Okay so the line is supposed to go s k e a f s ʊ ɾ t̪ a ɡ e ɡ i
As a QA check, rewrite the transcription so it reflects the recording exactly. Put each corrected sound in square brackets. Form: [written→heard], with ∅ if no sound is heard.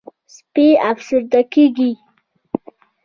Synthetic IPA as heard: s [k→p] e a f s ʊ ɾ [t̪→d̪] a [ɡ→k] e ɡ i